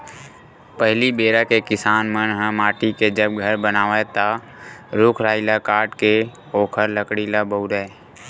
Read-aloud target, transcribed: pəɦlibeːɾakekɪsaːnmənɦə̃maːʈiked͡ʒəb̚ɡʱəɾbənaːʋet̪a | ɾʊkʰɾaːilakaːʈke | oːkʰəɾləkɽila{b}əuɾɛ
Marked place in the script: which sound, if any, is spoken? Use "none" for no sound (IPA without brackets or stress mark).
b